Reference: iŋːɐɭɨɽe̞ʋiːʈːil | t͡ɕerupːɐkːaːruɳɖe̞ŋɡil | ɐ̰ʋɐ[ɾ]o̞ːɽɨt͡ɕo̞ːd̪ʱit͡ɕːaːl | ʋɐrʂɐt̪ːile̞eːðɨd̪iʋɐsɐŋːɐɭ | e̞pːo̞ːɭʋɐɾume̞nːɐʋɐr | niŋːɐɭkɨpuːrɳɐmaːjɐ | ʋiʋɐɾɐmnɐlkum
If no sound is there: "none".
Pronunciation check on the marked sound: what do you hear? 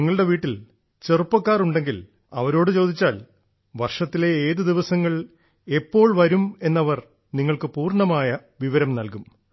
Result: ɾ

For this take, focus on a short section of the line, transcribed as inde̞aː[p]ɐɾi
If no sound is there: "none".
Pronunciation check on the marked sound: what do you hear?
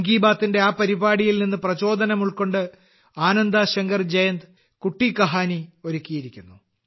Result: p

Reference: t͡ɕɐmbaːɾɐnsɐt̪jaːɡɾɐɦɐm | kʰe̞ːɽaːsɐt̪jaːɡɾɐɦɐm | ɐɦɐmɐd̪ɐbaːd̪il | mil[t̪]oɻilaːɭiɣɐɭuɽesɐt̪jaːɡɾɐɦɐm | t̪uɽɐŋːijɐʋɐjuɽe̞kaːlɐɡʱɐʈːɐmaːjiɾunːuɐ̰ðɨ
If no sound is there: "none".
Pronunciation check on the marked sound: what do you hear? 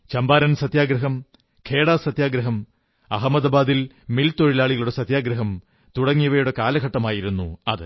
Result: t̪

